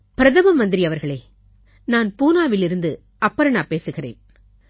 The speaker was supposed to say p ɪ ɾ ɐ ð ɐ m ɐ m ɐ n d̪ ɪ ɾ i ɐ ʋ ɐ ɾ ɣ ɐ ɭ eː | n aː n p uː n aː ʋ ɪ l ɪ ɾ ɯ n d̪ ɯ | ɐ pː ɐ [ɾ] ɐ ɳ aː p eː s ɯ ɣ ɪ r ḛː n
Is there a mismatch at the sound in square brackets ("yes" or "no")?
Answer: no